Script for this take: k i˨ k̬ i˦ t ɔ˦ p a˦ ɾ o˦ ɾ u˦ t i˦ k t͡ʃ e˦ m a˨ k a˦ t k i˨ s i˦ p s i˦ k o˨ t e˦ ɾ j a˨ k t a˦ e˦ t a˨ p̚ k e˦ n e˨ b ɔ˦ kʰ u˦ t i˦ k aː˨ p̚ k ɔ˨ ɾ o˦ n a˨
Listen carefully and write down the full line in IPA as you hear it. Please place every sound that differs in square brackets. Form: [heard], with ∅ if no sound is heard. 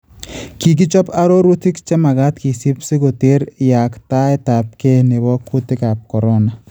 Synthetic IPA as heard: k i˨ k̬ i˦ [t͡ʃ] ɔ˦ p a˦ ɾ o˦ ɾ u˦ t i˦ k t͡ʃ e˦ m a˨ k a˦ t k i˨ s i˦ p s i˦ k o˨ t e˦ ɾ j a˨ k t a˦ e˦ t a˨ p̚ k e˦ n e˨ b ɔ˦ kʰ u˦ t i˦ k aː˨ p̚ k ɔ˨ ɾ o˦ n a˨

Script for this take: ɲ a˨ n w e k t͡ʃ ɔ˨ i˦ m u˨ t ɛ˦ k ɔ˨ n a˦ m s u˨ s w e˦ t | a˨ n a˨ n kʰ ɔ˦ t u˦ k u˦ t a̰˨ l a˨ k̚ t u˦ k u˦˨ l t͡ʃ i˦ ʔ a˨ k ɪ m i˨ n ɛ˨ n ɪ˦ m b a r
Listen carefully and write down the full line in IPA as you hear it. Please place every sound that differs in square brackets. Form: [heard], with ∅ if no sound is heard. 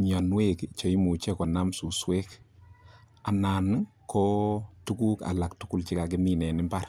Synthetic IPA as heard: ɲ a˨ n w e k t͡ʃ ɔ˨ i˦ m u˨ [t͡ʃ] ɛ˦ k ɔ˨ n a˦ m s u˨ s w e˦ [k] | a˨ n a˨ n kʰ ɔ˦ t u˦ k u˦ [k] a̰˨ l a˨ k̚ t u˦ k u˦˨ l t͡ʃ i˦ [k] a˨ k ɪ m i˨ n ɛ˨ n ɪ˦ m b a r

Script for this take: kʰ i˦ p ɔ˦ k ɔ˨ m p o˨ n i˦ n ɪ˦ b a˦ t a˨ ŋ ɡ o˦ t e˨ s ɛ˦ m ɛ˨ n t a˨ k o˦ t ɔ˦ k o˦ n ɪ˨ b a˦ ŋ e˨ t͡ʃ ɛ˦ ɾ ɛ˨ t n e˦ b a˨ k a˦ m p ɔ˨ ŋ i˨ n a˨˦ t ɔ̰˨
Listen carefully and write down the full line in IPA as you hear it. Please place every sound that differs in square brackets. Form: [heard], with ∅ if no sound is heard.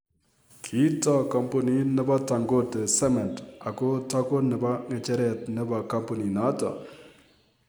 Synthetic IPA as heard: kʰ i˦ [t] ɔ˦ k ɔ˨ m p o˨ n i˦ n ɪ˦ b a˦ t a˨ ŋ ɡ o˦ t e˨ s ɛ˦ m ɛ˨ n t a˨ k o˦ t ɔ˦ k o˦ n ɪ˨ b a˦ ŋ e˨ t͡ʃ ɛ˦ ɾ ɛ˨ t n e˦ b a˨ k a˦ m p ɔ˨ [n] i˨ n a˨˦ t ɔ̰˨

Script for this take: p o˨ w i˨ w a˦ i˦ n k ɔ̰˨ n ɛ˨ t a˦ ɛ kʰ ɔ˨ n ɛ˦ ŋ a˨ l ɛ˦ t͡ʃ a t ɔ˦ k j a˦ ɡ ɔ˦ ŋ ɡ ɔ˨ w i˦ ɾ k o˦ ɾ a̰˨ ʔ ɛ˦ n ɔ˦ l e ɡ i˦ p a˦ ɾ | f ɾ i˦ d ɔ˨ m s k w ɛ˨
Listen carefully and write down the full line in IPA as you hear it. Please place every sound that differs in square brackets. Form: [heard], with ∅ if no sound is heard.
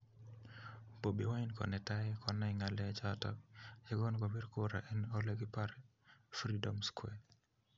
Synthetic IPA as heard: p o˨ [b] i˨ w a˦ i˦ n k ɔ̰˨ n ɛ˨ t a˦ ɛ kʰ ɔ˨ n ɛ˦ ŋ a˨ l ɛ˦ t͡ʃ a t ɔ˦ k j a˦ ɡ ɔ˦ [n] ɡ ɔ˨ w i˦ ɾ k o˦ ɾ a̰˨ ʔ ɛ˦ n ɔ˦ l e ɡ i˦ p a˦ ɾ | f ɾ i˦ d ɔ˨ m s k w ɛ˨

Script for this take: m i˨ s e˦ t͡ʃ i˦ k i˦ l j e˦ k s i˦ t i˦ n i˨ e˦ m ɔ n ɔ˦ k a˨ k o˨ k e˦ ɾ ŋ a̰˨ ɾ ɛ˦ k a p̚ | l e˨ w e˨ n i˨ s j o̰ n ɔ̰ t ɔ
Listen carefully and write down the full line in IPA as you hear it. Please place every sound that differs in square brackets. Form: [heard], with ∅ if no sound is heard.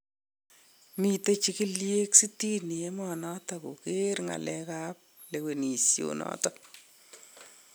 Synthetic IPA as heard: m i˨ [t] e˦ t͡ʃ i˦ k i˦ l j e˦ k s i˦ t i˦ n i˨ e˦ m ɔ n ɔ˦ [t] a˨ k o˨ k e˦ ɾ ŋ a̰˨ [l] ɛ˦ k a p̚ | l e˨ w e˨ n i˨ s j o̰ n ɔ̰ t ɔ

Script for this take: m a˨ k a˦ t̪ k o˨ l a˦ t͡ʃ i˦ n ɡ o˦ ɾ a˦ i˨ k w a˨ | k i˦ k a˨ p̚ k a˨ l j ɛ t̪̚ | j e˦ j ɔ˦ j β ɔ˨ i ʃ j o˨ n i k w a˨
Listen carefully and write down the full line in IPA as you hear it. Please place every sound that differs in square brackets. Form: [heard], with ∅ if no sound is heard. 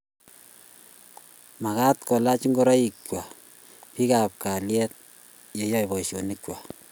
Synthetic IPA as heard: m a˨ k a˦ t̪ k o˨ l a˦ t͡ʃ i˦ [ŋ] ɡ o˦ ɾ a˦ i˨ k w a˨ | [p] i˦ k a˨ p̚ k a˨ l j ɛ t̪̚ | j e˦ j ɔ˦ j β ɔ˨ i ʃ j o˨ n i k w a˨

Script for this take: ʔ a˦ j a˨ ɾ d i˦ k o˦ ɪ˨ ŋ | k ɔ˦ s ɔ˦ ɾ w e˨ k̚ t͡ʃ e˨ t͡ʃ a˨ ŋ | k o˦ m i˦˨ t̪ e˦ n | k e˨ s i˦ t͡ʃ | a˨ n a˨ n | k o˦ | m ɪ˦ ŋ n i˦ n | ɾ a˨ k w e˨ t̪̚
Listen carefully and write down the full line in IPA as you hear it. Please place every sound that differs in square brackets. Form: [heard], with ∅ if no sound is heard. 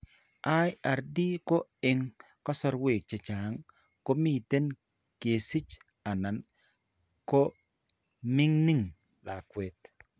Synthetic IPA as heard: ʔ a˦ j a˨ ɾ d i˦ k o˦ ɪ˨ ŋ | k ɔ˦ s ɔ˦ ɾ w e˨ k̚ t͡ʃ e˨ t͡ʃ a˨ ŋ | k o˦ m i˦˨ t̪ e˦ n | k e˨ s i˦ t͡ʃ | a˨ n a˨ n | k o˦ | m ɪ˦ ŋ n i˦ [ŋ] | [l] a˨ k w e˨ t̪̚

